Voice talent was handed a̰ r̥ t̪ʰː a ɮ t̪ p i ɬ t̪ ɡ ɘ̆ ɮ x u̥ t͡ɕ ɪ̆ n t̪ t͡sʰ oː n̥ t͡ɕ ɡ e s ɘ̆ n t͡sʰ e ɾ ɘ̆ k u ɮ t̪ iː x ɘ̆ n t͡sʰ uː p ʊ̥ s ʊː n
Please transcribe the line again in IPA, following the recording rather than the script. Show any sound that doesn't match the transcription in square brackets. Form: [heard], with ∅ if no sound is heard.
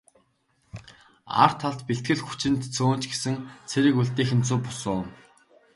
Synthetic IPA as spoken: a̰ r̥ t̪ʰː a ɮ t̪ p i ɬ t̪ ɡ ɘ̆ ɮ x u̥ t͡ɕ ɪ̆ n t̪ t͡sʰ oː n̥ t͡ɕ ɡ e s ɘ̆ [ŋ] t͡sʰ e ɾ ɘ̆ k u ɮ t̪ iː x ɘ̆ n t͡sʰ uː p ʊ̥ s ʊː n

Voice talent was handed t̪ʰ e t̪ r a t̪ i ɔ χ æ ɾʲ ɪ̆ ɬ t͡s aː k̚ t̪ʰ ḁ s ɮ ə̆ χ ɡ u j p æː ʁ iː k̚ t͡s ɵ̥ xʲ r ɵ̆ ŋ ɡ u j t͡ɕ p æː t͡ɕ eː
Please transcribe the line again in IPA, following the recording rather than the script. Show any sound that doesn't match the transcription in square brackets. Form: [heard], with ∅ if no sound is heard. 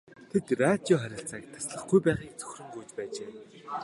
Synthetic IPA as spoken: t̪ʰ e t̪ r a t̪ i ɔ χ æ ɾʲ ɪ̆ ɬ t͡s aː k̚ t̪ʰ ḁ s ɮ ə̆ χ ɡ u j p æː ʁ iː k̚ t͡s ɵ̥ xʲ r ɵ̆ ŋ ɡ u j t͡ɕ p æː t͡ɕ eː

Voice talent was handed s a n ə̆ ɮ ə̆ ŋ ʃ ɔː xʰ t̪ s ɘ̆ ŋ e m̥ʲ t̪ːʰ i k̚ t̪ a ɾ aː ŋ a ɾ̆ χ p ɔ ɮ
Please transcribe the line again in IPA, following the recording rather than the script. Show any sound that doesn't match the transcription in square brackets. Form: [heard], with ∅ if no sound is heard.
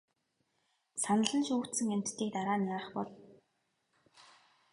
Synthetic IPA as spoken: s a n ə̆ ɮ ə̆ [n] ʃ [uː] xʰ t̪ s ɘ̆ ŋ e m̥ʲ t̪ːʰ [iː] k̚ t̪ a ɾ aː [n] a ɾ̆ χ p ɔ ɮ

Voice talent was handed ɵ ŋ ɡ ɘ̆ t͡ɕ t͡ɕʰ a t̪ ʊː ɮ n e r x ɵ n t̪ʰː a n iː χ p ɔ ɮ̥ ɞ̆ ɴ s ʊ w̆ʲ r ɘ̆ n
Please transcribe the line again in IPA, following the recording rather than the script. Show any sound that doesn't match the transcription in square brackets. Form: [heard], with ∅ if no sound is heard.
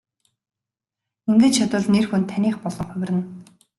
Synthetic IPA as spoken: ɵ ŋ ɡ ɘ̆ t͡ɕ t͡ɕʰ a t̪ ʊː ɮ n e r x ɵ n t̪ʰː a n iː χ p ɔ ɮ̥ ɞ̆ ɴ [χ] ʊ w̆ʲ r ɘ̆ n

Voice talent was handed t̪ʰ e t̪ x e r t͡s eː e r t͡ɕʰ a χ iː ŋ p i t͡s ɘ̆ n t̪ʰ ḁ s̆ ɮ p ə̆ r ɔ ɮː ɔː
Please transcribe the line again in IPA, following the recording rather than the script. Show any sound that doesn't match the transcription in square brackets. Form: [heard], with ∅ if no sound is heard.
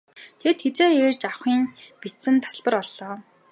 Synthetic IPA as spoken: t̪ʰ e t̪ x e [∅] t͡s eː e r [t͡ɕ] a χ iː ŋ p i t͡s ɘ̆ n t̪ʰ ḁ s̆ ɮ p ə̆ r ɔ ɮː ɔː

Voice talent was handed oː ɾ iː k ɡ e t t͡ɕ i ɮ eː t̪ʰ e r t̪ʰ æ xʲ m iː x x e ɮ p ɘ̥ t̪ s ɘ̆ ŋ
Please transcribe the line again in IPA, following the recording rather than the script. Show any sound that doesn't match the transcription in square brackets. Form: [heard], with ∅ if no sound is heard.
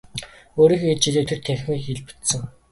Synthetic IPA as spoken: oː ɾ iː [x] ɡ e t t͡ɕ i ɮ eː t̪ʰ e r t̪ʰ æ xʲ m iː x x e ɮ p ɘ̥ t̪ s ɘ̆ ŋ

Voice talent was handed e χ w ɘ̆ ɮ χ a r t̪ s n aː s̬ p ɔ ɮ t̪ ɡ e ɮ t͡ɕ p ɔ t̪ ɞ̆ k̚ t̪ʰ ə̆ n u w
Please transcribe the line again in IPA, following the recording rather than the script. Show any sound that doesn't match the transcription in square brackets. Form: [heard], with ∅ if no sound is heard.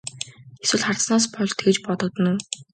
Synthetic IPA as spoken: e [s] w ɘ̆ ɮ χ a r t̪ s n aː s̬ p ɔ ɮ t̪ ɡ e [∅] t͡ɕ p ɔ t̪ ɞ̆ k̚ [t̪] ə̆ n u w

